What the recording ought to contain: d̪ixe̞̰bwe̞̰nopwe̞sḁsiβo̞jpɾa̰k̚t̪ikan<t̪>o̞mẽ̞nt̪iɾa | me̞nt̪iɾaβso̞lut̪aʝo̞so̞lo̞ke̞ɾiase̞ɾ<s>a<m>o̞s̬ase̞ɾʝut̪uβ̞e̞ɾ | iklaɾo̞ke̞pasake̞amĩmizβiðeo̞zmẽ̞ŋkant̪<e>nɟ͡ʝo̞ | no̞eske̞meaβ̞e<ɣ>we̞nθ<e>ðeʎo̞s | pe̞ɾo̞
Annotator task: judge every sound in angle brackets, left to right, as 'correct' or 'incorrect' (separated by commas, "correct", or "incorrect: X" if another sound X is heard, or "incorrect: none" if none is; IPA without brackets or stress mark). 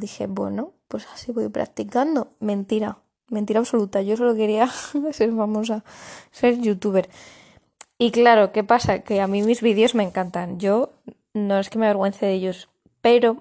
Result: incorrect: d̪, incorrect: f, correct, incorrect: a, correct, correct